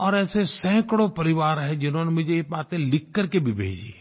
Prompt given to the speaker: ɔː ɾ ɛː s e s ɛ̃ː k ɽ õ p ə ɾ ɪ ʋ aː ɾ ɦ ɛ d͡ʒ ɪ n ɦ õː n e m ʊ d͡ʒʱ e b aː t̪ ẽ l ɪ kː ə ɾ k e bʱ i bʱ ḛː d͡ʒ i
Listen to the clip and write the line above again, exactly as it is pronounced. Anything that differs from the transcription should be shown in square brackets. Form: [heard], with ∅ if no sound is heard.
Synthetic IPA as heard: ɔː ɾ ɛː s e s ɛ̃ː k ɽ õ p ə ɾ ɪ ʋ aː ɾ ɦ ɛ d͡ʒ ɪ n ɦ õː n e m ʊ d͡ʒʱ e b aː t̪ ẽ l ɪ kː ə ɾ k e bʱ i bʱ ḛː d͡ʒ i